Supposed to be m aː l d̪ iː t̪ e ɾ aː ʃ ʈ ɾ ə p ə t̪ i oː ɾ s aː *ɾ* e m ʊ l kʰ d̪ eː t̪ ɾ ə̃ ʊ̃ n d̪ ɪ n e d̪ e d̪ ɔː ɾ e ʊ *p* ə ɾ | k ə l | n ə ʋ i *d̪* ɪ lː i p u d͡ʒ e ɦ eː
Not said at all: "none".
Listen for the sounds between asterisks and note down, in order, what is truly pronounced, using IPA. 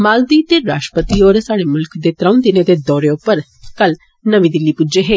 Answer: ɽ, p, d̪

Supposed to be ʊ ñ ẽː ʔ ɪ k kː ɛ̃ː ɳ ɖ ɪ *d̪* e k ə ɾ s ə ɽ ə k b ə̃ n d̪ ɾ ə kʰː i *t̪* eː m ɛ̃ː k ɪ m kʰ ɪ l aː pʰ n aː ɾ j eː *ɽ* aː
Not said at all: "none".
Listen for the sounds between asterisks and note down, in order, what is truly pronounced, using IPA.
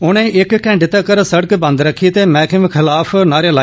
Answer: t̪, t̪, l

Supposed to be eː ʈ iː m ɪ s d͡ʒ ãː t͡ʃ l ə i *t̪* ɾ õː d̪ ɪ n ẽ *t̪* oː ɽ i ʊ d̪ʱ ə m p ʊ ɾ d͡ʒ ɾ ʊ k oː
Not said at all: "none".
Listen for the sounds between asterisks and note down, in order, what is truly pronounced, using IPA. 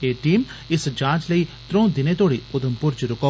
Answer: t̪, t̪

